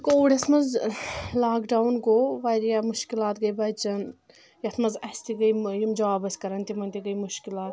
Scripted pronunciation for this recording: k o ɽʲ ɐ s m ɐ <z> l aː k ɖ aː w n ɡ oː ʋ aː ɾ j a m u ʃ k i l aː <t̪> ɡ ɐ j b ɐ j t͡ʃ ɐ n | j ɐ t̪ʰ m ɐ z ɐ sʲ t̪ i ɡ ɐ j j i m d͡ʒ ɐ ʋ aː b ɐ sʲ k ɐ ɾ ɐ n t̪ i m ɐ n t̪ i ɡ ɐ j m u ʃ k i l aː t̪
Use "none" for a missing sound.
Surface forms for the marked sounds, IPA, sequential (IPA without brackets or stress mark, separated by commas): z, t̪